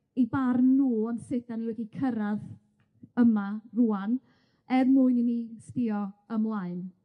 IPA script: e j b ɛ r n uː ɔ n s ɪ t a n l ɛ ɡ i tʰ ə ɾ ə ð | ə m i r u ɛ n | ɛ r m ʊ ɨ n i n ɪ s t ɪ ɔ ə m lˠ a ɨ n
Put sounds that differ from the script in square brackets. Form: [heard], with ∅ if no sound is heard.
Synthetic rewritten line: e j b [a] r n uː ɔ n s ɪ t a n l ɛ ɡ i [kʰ] ə ɾ [a] ð | ə m [a] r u [a] n | ɛ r m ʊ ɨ n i n [i] s t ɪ ɔ ə m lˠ a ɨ n